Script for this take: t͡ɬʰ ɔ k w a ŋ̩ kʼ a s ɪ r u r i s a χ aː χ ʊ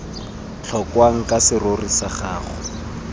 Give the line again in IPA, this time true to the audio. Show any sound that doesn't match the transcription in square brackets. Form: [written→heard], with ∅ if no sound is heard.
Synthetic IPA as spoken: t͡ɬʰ ɔ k w a ŋ̩ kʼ a s ɪ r [u→o] r i s a χ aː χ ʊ

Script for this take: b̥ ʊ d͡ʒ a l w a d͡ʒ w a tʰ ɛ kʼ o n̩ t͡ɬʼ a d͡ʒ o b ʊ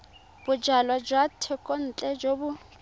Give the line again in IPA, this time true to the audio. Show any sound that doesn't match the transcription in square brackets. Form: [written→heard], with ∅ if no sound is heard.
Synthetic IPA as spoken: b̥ ʊ d͡ʒ a l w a d͡ʒ w a tʰ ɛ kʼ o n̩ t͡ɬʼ [a→ɛ] d͡ʒ o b ʊ

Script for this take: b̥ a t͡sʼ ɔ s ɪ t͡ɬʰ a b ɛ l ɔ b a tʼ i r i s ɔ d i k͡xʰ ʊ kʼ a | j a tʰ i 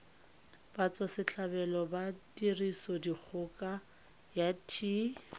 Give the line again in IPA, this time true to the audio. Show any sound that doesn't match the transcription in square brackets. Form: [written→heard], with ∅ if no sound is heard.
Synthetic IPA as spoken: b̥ a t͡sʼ ɔ s ɪ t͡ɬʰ a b ɛ l ɔ b a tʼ i r i s ɔ d i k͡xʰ ʊ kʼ a | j a tʰ i

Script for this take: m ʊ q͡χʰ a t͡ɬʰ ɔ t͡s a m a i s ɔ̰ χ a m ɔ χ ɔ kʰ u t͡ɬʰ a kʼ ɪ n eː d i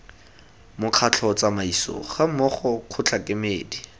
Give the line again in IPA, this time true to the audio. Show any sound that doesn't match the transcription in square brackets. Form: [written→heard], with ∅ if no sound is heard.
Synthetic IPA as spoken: m ʊ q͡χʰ a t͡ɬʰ ɔ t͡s a m a i s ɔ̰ χ a m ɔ χ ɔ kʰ [u→ʊ] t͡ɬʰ a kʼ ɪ [n→m] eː d i

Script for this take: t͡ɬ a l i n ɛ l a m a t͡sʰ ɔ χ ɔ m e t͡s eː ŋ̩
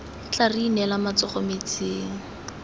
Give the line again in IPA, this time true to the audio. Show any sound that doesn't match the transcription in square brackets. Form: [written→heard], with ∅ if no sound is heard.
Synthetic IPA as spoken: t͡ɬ a [l→r] i n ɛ l a m a [t͡sʰ→t͡s] ɔ χ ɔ m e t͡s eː ŋ̩

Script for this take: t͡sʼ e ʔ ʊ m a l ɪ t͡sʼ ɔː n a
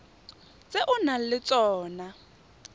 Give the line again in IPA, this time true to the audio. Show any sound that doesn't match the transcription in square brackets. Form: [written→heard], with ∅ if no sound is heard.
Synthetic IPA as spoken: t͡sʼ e ʔ ʊ [m→n] a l ɪ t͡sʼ ɔː n a

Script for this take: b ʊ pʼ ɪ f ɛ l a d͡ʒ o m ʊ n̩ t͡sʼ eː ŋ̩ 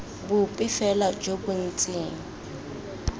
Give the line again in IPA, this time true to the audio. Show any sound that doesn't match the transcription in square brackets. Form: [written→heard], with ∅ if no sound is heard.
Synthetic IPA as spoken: b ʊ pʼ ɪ f ɛ l a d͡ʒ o [m→b] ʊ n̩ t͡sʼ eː ŋ̩

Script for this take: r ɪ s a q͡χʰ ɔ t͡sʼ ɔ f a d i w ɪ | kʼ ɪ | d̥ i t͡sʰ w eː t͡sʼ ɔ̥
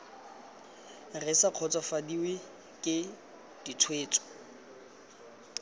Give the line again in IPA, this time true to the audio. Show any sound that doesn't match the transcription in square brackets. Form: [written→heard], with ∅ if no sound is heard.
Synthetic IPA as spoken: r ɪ s a q͡χʰ ɔ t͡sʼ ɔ f a d i w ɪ | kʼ ɪ | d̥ i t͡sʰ w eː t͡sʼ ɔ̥

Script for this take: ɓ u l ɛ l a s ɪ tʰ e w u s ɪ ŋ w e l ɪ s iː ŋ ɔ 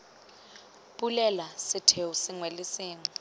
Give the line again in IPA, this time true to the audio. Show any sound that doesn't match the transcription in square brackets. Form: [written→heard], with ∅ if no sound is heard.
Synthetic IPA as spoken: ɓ u l ɛ l a s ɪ tʰ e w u s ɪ ŋ w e l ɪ s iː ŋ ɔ

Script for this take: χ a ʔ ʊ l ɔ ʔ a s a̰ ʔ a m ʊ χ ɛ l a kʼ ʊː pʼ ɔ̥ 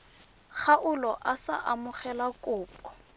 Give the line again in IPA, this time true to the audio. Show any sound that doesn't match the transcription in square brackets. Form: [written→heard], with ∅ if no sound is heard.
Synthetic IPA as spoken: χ a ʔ ʊ l ɔ ʔ a s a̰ ʔ a m ʊ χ ɛ l a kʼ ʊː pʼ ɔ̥

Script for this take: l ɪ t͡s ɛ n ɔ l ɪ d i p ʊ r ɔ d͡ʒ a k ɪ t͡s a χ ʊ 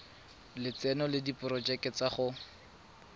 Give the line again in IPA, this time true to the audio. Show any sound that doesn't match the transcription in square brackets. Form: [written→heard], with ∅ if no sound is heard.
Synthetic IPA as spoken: l ɪ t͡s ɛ n ɔ l ɪ d i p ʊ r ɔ d͡ʒ [a→ɛ] k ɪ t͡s a χ ʊ

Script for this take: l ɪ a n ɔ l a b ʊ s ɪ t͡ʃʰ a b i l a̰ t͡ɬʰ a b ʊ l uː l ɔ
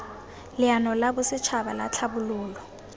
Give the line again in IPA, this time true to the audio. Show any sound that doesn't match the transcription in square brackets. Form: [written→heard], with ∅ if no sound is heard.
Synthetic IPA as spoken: l ɪ a n ɔ l a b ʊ s ɪ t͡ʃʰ a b [i→a] l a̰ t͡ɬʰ a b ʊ l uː l ɔ

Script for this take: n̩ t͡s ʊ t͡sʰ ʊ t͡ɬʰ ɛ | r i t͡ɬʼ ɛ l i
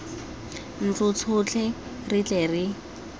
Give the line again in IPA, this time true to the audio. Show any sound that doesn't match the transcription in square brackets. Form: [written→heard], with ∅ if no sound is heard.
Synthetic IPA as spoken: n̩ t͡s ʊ t͡sʰ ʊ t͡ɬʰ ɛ | r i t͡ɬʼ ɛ [l→r] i

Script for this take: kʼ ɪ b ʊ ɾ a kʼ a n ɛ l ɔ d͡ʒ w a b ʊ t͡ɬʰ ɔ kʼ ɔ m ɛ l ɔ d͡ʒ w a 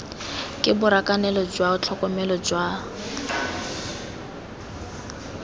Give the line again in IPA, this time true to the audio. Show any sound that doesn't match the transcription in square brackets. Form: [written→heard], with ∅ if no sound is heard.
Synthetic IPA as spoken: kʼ ɪ b ʊ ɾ a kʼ a n ɛ l ɔ d͡ʒ w a [b→∅] ʊ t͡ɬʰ ɔ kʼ ɔ m ɛ l ɔ d͡ʒ w a

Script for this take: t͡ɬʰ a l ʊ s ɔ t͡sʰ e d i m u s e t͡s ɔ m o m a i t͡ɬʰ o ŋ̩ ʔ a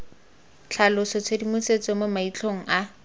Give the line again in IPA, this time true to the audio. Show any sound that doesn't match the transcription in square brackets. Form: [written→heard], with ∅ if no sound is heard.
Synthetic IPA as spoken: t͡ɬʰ a l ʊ s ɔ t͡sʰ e d i m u s e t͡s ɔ m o m a i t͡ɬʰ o ŋ̩ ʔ a

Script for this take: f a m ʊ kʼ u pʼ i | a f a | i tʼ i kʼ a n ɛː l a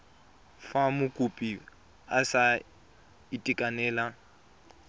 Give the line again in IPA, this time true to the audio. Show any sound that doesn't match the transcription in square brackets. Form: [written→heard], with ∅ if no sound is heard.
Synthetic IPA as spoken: f a m ʊ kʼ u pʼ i | a [f→s] a | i tʼ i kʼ a n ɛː l a

